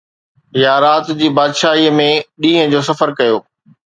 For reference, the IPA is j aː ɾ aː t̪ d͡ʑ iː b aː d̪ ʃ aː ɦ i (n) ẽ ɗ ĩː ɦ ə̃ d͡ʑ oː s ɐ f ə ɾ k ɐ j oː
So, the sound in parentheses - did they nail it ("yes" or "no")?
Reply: no